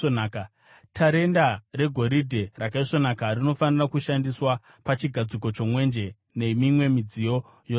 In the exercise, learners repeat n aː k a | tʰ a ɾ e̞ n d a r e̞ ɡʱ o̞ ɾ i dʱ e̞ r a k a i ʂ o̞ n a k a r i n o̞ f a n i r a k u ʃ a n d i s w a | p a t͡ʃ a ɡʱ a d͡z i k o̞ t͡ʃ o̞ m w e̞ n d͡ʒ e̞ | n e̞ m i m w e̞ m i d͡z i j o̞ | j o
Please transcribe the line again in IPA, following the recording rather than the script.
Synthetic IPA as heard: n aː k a | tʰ a ɾ e̞ n d a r e̞ ɡʱ o̞ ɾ i dʱ e̞ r a k a i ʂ o̞ n a k a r i n o̞ f a n i r a k u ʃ a n d i s w a | p a t͡ʃ i ɡʱ a d͡z i k o̞ t͡ʃ o̞ m w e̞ n d͡ʒ e̞ | n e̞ m i m w e̞ m i d͡z i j o̞ | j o

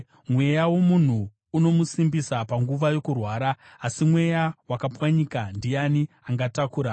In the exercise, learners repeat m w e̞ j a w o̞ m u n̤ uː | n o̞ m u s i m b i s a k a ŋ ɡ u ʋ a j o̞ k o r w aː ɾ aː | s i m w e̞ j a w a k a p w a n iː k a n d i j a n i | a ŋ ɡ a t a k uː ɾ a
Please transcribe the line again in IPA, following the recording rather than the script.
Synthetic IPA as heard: m w e̞ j a w o̞ m u n̤ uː | n o̞ m u s i m b i s a p a ŋ ɡ u ʋ a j o̞ k u r w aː ɾ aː | s i m w e̞ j a w a k a p w a ɲ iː k a n d i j a n i | a ŋ ɡ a t a k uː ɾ a

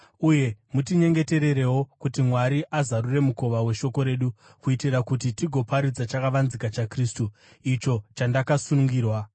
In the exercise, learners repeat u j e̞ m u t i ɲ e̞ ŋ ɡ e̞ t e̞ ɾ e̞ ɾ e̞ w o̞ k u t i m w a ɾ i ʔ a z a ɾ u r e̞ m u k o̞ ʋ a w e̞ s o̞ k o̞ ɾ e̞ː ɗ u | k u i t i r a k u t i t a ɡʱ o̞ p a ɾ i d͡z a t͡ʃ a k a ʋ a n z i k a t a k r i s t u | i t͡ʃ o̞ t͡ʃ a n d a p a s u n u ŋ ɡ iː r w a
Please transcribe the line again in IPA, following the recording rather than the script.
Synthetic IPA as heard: u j e̞ m u t i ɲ e̞ ŋ ɡ e̞ t e̞ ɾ e̞ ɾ e̞ w o̞ k u t i m w a ɾ i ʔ a z a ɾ u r e̞ m u k o̞ ʋ a w e̞ ʃ o̞ k o̞ ɾ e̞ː ɗ u | k u i t i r a k u t i t i ɡʱ o̞ p a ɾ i d͡z a t͡ʃ a k a ʋ a n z i k a t͡ʃ a k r i s t u | i t͡ʃ o̞ t͡ʃ a n d a k a s u n u ŋ ɡ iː r w a

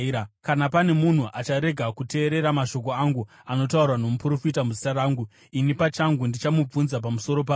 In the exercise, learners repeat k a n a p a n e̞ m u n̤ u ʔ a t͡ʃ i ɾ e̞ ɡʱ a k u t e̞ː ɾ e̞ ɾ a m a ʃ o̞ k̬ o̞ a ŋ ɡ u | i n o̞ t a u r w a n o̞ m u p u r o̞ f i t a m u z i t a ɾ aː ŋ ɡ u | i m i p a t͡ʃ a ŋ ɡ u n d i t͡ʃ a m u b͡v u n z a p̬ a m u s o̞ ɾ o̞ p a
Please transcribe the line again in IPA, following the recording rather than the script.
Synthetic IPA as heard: k a n a p a n e̞ m u n̤ u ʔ a t͡ʃ a ɾ e̞ ɡʱ a k u t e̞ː ɾ e̞ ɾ a m a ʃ o̞ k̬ o̞ a ŋ ɡ u | a n o̞ t a u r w a n o̞ m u p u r o̞ f i t a m u z i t a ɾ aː ŋ ɡ u | i n i p a t͡ʃ a ŋ ɡ u n d i t͡ʃ a m u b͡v u n z a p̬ a m u s o̞ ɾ o̞ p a

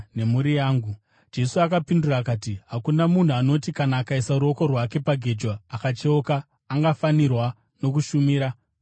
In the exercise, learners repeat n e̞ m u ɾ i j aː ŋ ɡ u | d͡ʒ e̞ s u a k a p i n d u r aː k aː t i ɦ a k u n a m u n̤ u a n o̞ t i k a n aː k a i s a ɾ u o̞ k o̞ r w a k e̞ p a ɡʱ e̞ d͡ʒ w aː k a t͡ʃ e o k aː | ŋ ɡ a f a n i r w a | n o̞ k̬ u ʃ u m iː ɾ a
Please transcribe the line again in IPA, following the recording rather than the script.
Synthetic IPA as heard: n e̞ m u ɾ i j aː ŋ ɡ u | d͡ʒ e̞ s u a k a p i n d u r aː k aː t i ɦ a k u n a m u n̤ u a n o̞ t i k a n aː k a i s a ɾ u o̞ k o̞ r w a k e̞ p a ɡʱ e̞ d͡ʒ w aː k a t͡ʃ e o k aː | ŋ ɡ a f a n i r w a | n o̞ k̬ u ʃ u m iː ɾ a

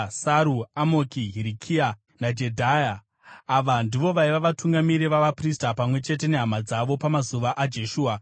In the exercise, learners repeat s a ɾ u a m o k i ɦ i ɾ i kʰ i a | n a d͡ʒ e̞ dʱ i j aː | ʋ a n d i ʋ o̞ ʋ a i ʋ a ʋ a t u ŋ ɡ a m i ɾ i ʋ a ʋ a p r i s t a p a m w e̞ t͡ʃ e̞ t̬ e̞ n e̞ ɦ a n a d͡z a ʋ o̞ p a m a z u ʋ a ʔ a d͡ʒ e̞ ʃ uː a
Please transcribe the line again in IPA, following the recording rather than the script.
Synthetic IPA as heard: s a ɾ u a m o k i ɦ i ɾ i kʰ i a | n a d͡ʒ e̞ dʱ a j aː | ʋ a n d i ʋ o̞ ʋ a i ʋ a ʋ a t u ŋ ɡ a m i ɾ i ʋ a ʋ a p r i s t a p a m w e̞ t͡ʃ e̞ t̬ e̞ n e̞ ɦ a m a d͡z a ʋ o̞ p a m a z u ʋ a ʔ a d͡ʒ e̞ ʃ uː a

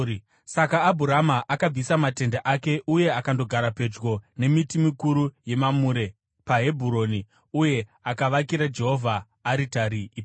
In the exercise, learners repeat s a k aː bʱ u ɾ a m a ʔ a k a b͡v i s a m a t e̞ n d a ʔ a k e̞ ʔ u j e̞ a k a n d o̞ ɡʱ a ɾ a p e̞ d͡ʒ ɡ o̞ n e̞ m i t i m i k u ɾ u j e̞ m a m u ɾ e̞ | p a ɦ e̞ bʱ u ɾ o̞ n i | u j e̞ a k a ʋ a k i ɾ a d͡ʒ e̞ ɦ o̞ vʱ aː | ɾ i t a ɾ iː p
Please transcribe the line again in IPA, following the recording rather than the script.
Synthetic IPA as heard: s a k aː bʱ u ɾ a m a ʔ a k a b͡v i s a m a t e̞ n d a ʔ a k e̞ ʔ u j e̞ a k a n d o̞ ɡʱ a ɾ a p e̞ d͡ʒ ɡ o̞ n e̞ m i t i m i k u ɾ u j e̞ m a m u ɾ e̞ | p a ɦ e̞ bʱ u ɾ o̞ n i | u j e̞ a k a ʋ a k i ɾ a d͡ʒ e̞ ɦ o̞ vʱ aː | ɾ i t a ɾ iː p

